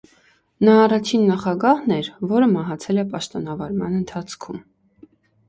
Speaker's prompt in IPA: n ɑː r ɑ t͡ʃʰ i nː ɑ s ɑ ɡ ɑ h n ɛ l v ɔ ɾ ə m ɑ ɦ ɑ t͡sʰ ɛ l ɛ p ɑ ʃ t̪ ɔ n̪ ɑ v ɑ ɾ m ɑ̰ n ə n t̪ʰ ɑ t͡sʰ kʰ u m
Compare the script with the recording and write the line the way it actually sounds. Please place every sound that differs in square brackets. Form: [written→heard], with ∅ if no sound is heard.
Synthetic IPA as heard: n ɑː r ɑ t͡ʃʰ i nː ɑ [s→χ] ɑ ɡ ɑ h n ɛ [l→ɾ] v ɔ ɾ ə m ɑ ɦ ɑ t͡sʰ ɛ l ɛ p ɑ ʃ t̪ ɔ n̪ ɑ v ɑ ɾ m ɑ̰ n ə n t̪ʰ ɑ t͡sʰ kʰ u m

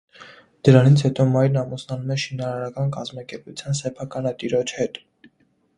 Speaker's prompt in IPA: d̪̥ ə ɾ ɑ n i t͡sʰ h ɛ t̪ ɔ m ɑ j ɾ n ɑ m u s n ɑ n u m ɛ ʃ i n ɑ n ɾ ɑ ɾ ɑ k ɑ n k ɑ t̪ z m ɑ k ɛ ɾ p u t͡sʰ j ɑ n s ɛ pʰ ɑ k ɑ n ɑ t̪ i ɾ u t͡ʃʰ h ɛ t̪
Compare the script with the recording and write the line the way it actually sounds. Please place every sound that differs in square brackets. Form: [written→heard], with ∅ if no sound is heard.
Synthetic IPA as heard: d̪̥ ə ɾ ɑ n i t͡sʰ h ɛ t̪ ɔ m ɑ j ɾ n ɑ m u s n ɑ n u m ɛ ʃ i n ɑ [n→∅] ɾ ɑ ɾ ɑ k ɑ n k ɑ [t̪→∅] z m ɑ k ɛ ɾ p u t͡sʰ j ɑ n s ɛ pʰ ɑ k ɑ n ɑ t̪ i ɾ [u→ɔ] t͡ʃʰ h ɛ t̪

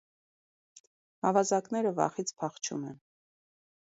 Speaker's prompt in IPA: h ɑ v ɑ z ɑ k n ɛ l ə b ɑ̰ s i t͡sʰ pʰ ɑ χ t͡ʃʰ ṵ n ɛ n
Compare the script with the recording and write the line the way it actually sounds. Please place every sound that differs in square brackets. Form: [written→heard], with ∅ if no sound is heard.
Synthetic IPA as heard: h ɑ v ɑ z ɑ k n ɛ [l→ɾ] ə [b→v] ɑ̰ [s→χ] i t͡sʰ pʰ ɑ χ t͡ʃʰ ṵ [n→m] ɛ n

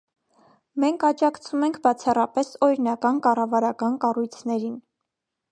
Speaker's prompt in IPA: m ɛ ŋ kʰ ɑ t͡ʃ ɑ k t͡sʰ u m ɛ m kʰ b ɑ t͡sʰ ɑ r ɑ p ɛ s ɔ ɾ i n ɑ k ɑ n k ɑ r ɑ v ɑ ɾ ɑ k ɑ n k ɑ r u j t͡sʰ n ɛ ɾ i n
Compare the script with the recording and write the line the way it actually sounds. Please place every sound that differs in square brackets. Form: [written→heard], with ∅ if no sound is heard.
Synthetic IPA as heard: m ɛ ŋ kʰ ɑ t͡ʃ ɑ k t͡sʰ u m ɛ [m→ŋ] kʰ b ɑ t͡sʰ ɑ r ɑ p ɛ s ɔ ɾ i n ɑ k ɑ n k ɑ r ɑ v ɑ ɾ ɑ k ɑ n k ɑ r u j t͡sʰ n ɛ ɾ i n

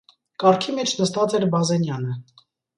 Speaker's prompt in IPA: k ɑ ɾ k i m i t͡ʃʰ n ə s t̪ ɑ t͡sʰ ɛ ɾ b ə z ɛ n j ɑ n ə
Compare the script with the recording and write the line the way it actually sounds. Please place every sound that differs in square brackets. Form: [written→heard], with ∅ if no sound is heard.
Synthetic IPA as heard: k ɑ ɾ [k→kʰ] i m [i→ɛ] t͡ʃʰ n ə s t̪ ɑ [t͡sʰ→t͡s] ɛ ɾ b [ə→ɑ] z ɛ n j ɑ n ə

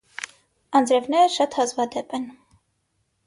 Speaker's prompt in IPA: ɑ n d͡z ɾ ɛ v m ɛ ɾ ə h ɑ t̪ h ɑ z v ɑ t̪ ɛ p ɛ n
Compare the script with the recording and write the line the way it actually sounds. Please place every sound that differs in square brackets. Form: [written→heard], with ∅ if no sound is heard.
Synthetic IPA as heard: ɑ n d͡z ɾ ɛ v [m→n] ɛ ɾ ə [h→ʃ] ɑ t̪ h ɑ z v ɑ [t̪→d̪] ɛ p ɛ n

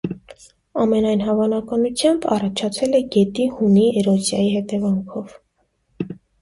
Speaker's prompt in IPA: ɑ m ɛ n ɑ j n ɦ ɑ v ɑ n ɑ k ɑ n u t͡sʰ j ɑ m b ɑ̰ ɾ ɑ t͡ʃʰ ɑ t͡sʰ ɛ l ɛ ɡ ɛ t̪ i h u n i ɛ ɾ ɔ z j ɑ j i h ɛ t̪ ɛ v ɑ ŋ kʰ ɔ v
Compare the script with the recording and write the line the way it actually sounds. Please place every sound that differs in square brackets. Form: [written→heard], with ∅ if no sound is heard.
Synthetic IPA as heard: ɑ m ɛ n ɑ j n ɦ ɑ v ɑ n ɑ k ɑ n u t͡sʰ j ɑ m b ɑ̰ [ɾ→r] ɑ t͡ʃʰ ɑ t͡sʰ ɛ l ɛ ɡ ɛ t̪ i h u n i ɛ ɾ ɔ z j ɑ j i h ɛ t̪ ɛ v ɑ ŋ kʰ ɔ v

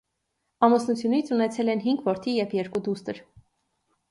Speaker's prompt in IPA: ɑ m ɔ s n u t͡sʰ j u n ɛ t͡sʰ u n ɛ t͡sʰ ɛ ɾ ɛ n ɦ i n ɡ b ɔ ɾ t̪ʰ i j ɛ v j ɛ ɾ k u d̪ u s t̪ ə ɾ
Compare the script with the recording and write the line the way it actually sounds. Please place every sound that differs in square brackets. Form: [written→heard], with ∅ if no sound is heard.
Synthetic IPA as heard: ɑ m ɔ s n u t͡sʰ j u n [ɛ→i] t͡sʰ u n ɛ t͡sʰ ɛ [ɾ→l] ɛ n ɦ i [n→ŋ] ɡ [b→v] ɔ ɾ t̪ʰ i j ɛ v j ɛ ɾ k u d̪ u s t̪ ə ɾ

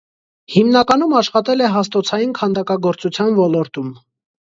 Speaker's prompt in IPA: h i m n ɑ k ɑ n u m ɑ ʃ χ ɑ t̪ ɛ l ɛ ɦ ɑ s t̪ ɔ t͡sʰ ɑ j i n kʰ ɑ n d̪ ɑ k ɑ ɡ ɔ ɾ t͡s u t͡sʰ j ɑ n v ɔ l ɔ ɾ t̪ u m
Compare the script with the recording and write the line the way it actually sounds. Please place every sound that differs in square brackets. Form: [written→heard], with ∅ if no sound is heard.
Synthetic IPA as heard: h i m n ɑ k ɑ n u m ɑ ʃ χ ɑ t̪ ɛ l ɛ ɦ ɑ s t̪ ɔ t͡sʰ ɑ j i n kʰ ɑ n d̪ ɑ k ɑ ɡ ɔ ɾ t͡s u t͡sʰ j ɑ n v ɔ l ɔ ɾ t̪ u m

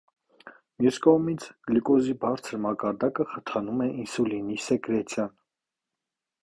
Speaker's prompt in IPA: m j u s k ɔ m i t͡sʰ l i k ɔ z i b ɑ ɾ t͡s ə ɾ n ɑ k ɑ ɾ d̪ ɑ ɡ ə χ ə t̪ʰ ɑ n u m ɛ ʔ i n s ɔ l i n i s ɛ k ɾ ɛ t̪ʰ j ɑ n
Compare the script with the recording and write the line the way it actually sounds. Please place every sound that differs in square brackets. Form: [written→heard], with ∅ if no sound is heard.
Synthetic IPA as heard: m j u s k ɔ m i t͡sʰ l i k ɔ z i b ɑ ɾ [t͡s→t͡sʰ] ə ɾ [n→m] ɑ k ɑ ɾ d̪ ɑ [ɡ→k] ə χ ə t̪ʰ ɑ n u m ɛ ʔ i n s [ɔ→u] l i n i s ɛ k ɾ ɛ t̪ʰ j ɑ n

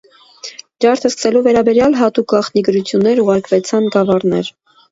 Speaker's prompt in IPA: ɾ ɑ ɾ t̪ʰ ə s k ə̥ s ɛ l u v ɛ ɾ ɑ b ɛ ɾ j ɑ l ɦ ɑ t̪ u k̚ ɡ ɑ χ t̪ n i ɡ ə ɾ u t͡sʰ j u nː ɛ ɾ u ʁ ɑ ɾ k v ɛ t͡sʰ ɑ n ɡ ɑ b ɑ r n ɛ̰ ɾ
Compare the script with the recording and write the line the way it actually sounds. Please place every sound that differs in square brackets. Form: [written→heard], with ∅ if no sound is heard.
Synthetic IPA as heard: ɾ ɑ ɾ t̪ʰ ə s k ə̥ s ɛ l u v ɛ ɾ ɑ b ɛ ɾ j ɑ l ɦ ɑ t̪ u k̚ ɡ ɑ χ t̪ n i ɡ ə ɾ u t͡sʰ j u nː ɛ ɾ u ʁ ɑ ɾ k v ɛ t͡sʰ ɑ n ɡ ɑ [b→v] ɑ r n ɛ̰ ɾ

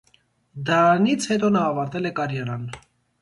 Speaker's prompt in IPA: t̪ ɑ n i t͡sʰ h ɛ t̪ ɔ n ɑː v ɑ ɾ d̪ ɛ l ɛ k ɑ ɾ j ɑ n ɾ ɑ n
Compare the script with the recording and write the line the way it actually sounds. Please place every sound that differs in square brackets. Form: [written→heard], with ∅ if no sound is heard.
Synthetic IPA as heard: [t̪→d̪] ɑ n i t͡sʰ h ɛ t̪ ɔ n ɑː v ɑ ɾ [d̪→t̪] ɛ l ɛ k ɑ ɾ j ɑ [n→∅] ɾ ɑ n

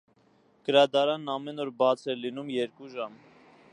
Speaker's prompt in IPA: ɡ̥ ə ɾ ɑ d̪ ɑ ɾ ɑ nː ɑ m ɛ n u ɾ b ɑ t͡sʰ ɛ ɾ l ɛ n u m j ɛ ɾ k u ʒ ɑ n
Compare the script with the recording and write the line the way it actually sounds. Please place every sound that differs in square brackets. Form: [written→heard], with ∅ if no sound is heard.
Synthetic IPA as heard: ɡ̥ ə ɾ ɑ d̪ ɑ ɾ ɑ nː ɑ m ɛ n [u→ɔ] ɾ b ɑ t͡sʰ ɛ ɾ l [ɛ→i] n u m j ɛ ɾ k u ʒ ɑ [n→m]

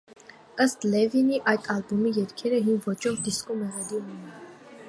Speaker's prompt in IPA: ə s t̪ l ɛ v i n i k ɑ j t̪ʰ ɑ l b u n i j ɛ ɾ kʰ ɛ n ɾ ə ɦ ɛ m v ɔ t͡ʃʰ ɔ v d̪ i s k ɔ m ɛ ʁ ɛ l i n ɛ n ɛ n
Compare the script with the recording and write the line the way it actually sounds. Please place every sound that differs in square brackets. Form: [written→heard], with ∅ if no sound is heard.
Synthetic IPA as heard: ə s t̪ l ɛ v i n i [k→ʔ] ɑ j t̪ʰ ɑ l b u [n→m] i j ɛ ɾ kʰ ɛ [n→∅] ɾ ə ɦ [ɛ→i] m v ɔ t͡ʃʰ ɔ v d̪ i s k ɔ m ɛ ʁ ɛ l i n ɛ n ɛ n

